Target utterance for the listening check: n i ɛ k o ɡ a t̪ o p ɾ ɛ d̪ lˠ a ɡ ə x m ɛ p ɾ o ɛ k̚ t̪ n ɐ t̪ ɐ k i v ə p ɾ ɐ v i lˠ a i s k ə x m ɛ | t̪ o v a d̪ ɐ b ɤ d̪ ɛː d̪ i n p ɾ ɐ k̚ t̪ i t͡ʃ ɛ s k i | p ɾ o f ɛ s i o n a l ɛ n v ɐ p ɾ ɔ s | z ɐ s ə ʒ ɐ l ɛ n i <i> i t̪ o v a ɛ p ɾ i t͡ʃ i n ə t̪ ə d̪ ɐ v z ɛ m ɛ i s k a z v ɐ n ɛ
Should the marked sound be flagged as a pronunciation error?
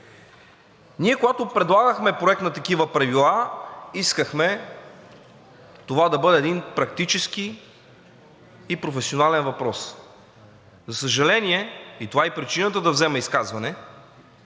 yes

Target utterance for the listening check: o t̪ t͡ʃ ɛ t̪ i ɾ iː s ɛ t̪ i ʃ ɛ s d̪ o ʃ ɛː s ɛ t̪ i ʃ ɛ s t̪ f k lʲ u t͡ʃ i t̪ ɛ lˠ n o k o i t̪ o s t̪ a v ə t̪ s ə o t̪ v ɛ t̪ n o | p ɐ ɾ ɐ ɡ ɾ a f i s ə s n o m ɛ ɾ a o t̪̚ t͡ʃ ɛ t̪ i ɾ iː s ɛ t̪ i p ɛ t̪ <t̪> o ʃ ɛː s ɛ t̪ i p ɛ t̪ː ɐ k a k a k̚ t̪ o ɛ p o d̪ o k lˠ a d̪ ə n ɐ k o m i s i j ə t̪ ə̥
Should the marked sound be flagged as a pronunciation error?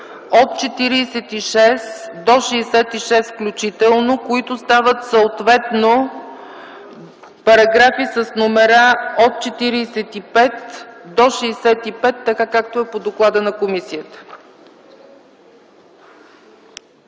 yes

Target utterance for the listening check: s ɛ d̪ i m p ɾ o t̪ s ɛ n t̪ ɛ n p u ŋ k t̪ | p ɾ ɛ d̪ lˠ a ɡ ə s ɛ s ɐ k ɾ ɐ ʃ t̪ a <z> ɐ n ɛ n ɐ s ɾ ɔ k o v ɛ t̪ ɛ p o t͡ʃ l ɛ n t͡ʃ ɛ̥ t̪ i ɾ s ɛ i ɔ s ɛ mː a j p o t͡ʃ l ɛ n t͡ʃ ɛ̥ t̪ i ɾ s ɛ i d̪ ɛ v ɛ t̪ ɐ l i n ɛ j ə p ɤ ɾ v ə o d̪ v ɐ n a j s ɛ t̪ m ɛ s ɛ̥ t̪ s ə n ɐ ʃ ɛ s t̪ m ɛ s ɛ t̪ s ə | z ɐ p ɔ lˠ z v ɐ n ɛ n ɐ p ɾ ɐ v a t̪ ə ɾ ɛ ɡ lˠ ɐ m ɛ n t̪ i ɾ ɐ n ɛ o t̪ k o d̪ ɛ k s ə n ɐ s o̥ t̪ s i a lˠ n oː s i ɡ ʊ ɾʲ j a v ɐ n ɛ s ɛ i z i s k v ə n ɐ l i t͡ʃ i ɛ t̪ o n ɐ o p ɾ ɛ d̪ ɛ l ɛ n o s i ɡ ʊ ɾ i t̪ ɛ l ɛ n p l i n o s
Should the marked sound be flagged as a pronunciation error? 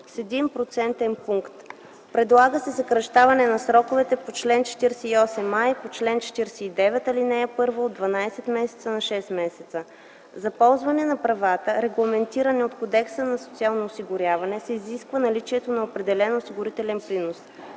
yes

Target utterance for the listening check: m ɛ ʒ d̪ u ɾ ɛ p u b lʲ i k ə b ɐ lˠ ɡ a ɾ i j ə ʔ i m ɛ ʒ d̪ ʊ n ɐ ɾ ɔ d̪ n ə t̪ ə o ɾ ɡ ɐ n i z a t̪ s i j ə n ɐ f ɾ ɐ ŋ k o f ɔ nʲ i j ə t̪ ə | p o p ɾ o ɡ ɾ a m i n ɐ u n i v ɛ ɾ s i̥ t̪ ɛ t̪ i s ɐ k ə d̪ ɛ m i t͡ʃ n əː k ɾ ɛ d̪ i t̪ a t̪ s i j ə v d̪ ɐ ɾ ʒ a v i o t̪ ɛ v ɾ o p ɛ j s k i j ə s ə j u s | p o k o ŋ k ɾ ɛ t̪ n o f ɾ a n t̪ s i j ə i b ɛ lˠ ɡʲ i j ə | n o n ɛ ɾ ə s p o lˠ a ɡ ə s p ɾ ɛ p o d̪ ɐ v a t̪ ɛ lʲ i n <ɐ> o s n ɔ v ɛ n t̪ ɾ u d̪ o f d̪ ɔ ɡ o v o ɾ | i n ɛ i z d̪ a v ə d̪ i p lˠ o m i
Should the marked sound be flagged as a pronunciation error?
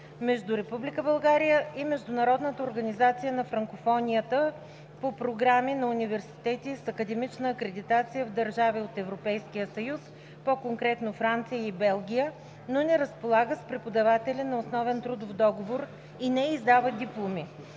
no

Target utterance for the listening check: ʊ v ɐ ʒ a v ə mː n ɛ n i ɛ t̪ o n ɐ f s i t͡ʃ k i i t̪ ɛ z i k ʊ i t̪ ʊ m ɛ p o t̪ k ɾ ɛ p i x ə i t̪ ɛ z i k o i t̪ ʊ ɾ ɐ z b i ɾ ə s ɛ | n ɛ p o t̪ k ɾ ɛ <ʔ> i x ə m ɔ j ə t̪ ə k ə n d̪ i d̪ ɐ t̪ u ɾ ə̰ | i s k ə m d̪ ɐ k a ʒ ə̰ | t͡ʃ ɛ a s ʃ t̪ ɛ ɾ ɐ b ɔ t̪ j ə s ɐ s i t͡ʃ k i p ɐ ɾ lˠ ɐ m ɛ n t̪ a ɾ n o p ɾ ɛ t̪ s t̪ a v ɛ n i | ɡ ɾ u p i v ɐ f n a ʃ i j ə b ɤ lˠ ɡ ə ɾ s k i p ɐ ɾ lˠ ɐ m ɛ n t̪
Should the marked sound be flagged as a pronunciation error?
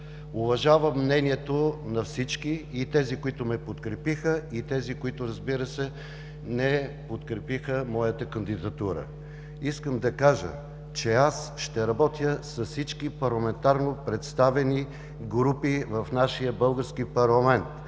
yes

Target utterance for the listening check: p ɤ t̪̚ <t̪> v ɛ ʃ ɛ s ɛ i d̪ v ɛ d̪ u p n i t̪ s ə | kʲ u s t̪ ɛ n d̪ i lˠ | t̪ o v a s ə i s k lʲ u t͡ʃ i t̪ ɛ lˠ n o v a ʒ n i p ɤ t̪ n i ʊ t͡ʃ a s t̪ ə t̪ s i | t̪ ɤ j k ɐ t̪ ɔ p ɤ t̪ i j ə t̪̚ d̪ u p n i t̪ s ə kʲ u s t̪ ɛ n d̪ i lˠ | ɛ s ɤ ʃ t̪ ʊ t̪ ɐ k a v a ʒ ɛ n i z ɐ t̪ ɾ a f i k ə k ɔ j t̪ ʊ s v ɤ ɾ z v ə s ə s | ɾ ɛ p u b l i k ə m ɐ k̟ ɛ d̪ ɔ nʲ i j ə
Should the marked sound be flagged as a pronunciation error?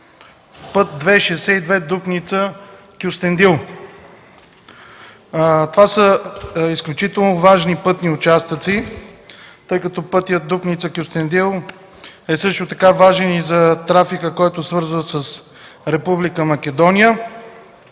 yes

